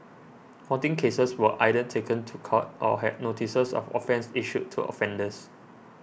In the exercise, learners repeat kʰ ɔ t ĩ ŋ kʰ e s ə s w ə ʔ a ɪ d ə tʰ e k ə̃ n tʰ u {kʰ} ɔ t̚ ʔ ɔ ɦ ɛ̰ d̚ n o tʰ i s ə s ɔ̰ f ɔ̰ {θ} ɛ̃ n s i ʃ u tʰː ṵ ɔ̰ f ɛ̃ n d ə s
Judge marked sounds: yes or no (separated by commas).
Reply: yes, no